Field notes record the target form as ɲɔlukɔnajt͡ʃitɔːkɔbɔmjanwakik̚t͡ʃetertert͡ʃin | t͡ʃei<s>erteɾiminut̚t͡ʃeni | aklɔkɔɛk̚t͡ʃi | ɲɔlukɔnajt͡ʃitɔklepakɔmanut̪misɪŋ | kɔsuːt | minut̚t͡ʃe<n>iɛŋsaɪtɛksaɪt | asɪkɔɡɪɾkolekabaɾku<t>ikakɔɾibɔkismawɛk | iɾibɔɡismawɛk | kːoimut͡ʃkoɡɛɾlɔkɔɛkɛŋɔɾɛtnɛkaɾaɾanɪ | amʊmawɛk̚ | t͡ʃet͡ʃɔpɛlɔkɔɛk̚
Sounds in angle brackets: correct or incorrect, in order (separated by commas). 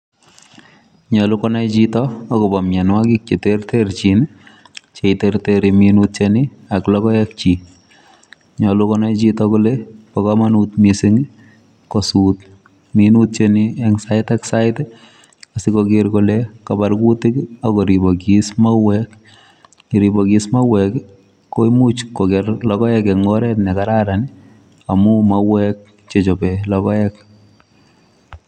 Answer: incorrect, correct, correct